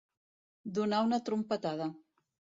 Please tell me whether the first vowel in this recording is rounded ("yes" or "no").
yes